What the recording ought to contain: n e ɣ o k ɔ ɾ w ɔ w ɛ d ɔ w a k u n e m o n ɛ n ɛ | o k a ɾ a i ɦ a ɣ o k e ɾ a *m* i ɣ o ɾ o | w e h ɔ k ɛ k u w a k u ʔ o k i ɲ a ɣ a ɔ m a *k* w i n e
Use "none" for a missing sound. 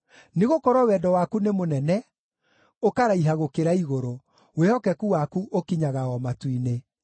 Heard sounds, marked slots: none, t

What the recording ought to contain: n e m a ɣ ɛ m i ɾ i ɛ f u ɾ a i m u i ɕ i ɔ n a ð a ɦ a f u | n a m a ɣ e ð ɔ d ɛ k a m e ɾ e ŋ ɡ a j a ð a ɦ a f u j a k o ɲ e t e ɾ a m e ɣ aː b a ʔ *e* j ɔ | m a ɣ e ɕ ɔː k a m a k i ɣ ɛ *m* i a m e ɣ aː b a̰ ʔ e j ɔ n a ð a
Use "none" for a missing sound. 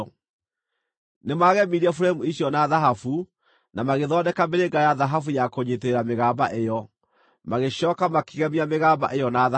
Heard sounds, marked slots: e, m

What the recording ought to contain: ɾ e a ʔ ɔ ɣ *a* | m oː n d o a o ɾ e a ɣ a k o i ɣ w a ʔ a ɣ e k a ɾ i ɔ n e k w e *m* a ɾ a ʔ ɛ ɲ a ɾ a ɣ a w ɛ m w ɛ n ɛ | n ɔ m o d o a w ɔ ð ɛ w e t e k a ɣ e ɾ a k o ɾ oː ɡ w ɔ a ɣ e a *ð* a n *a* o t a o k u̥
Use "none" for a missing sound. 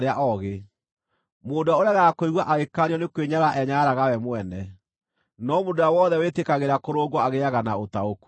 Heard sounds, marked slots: e, ɲ, ɣ, a

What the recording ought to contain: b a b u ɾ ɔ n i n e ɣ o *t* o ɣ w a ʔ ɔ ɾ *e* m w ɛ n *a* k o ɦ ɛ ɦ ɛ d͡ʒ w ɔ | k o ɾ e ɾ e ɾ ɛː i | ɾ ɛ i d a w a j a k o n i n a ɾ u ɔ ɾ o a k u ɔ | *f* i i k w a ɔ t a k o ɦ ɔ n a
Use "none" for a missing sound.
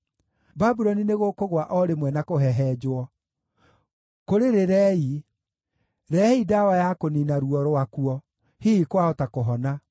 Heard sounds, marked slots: k, e, a, h

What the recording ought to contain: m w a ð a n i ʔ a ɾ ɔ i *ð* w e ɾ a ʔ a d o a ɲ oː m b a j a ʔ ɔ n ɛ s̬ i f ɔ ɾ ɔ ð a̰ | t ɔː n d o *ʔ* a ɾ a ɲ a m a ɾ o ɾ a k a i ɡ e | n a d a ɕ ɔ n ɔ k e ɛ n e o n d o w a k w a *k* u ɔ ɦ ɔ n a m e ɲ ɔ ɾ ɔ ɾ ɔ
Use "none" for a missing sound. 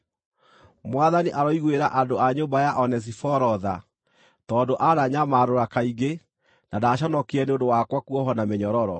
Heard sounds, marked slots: ɣ, ʔ, k

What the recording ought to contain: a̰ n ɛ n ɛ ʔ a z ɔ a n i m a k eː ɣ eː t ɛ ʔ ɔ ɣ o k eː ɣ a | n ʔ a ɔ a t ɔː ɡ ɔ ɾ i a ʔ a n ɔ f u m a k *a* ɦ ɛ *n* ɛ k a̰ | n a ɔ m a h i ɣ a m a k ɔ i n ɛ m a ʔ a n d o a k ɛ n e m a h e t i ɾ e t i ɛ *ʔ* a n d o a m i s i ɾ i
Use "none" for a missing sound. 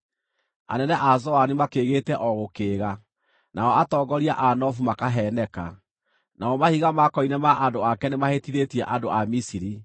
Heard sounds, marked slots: a, n, ʔ

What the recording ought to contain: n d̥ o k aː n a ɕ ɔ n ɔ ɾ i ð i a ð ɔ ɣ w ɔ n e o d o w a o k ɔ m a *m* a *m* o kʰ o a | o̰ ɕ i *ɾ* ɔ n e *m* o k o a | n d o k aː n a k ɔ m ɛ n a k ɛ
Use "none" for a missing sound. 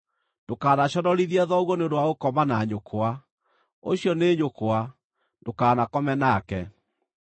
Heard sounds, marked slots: n, ɲ, none, ɲ

